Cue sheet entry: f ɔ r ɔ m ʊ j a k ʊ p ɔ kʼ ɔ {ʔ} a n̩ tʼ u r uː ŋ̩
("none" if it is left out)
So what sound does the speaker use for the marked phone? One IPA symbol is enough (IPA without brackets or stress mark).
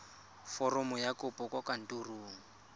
k